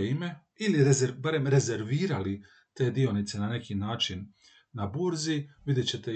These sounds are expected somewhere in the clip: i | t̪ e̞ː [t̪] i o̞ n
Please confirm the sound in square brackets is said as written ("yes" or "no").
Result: no